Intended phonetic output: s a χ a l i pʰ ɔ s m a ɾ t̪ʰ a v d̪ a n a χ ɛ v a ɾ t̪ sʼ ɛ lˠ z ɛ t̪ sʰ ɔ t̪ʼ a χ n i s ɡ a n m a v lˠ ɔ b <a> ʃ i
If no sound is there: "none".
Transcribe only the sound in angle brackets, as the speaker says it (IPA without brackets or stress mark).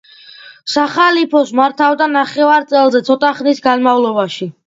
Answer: a